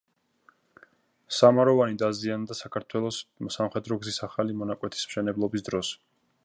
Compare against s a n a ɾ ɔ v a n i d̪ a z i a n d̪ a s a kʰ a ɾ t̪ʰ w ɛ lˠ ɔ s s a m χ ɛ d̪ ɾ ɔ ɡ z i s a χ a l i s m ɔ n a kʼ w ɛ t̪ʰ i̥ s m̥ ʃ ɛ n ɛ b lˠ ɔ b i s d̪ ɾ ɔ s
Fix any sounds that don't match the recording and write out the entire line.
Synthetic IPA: s a m a ɾ ɔ v a n i d̪ a z i a n d̪ a s a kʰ a ɾ t̪ʰ w ɛ lˠ ɔ s s a m χ ɛ d̪ ɾ ɔ ɡ z i s a χ a l i m ɔ n a kʼ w ɛ t̪ʰ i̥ s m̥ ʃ ɛ n ɛ b lˠ ɔ b i s d̪ ɾ ɔ s